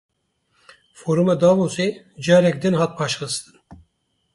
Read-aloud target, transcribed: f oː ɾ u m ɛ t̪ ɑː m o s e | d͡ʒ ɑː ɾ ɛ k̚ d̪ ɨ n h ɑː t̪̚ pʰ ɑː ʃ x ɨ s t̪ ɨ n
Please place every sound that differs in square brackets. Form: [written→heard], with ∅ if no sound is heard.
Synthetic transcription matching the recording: f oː ɾ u m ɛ [t̪→d̪] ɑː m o s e | d͡ʒ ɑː ɾ ɛ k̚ d̪ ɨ n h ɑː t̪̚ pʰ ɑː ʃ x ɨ s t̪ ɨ n